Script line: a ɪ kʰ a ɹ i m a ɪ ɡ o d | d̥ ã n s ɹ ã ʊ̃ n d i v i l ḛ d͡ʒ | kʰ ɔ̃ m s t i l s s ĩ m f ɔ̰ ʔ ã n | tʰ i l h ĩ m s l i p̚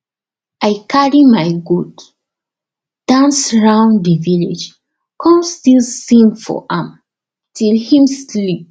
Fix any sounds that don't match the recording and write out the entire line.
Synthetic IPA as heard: a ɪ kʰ a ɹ i m a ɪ ɡ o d | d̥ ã n s ɹ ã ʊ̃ n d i v i l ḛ d͡ʒ | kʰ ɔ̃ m s t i l s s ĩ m f ɔ̰ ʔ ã m | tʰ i l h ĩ m s l i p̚